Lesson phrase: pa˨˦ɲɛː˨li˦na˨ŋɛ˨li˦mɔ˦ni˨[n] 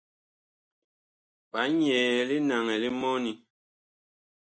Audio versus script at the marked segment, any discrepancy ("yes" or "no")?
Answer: yes